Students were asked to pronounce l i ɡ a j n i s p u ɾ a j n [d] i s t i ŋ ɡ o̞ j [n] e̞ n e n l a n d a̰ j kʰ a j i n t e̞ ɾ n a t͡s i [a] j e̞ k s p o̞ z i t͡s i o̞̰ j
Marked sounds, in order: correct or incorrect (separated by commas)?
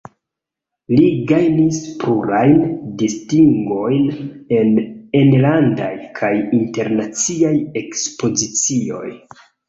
correct, correct, correct